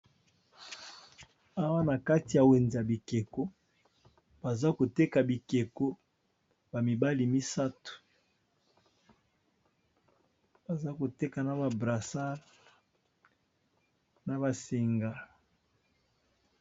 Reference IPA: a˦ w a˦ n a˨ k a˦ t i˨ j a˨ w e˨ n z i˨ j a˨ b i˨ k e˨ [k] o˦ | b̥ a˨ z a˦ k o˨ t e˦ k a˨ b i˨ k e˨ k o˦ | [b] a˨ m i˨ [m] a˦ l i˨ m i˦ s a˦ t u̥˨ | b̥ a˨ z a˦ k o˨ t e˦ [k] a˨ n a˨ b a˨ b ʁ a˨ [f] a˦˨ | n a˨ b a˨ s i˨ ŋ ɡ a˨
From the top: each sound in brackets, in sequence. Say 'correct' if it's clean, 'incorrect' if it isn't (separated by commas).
correct, correct, incorrect, correct, incorrect